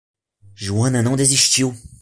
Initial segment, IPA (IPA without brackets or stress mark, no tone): ʒ